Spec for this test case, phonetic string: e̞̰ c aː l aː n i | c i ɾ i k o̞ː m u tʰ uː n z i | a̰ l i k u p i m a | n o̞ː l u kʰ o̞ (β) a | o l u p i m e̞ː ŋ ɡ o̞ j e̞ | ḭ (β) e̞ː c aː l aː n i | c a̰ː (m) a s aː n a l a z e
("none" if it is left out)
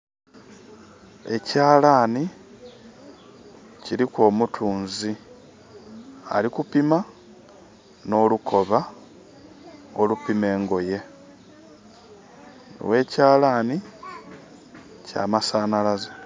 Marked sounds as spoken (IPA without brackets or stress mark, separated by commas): β, w, m